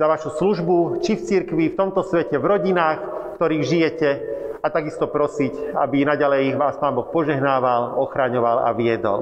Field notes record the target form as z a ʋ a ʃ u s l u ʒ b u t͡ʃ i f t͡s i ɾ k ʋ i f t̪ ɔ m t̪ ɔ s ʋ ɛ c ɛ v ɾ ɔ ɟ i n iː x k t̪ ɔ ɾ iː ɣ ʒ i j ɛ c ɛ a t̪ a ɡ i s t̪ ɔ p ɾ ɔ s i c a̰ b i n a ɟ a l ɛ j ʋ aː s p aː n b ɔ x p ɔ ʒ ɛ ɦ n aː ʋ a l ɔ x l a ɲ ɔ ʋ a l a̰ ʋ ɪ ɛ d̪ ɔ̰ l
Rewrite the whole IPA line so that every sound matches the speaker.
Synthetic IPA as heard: z a ʋ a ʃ u s l u ʒ b u t͡ʃ i f t͡s i ɾ k ʋ i f t̪ ɔ m t̪ ɔ s ʋ ɛ c ɛ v ɾ ɔ ɟ i n aː x k t̪ ɔ ɾ iː ɣ ʒ i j ɛ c ɛ a t̪ a ɡ i s t̪ ɔ p ɾ ɔ s i c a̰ b i n a ɟ a l ɛ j ʋ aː s p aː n b ɔ x p ɔ ʒ ɛ ɦ n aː ʋ a l ɔ x ɾ a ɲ ɔ ʋ a l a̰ ʋ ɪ ɛ d̪ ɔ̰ l